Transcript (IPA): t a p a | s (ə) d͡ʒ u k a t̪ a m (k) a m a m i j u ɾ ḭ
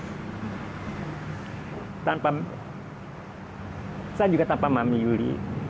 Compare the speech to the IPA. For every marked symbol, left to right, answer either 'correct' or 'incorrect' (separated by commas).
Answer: incorrect, incorrect